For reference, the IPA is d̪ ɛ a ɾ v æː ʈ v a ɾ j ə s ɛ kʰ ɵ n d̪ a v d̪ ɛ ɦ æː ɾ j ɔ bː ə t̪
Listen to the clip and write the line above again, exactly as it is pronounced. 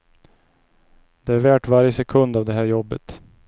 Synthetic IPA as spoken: d̪ ɛ æ ɾ v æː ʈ v a ɾ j ə s ɛ kʰ ɵ n d̪ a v d̪ ɛ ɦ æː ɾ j ɔ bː ə t̪